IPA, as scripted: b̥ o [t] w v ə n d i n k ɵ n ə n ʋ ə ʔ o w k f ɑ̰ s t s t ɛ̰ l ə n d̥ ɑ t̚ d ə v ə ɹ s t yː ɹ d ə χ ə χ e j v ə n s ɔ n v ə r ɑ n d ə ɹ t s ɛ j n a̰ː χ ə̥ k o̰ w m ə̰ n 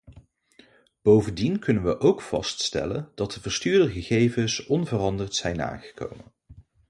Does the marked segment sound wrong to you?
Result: yes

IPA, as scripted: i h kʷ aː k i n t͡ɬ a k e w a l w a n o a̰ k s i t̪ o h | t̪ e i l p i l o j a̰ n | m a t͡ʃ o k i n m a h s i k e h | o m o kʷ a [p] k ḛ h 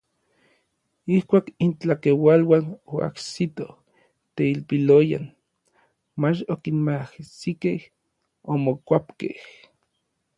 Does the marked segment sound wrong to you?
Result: no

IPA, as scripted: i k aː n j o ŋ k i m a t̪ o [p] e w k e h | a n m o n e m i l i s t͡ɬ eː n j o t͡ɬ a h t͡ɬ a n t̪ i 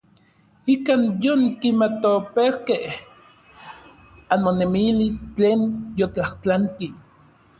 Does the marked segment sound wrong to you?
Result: no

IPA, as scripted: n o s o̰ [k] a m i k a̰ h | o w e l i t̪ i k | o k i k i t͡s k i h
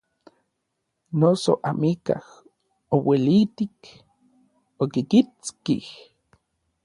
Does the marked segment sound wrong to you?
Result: yes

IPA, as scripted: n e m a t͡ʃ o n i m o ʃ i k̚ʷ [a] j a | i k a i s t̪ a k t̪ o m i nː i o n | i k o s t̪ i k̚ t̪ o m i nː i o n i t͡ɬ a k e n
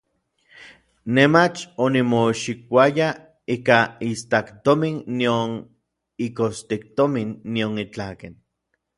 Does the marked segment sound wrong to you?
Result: no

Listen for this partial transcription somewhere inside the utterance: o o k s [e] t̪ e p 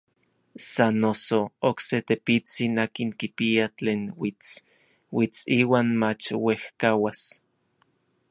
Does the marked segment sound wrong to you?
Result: no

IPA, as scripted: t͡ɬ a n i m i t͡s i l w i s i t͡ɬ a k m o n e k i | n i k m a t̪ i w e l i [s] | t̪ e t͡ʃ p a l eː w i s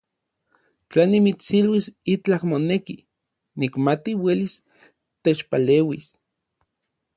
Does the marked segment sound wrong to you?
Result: no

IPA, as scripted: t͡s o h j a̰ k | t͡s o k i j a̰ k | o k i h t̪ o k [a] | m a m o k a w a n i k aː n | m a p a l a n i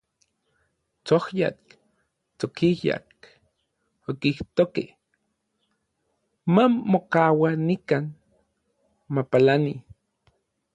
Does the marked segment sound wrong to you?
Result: yes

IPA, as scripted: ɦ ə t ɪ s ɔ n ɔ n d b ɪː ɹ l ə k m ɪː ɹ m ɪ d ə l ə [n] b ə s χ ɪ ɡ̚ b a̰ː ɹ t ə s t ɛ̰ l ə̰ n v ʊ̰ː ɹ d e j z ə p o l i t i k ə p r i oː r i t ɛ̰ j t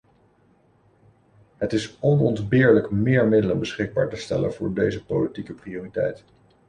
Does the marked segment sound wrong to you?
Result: no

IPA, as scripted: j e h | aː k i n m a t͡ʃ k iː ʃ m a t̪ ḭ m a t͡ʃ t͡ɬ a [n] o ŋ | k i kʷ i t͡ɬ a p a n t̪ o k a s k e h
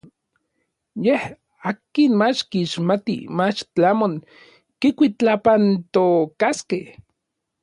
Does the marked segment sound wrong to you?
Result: yes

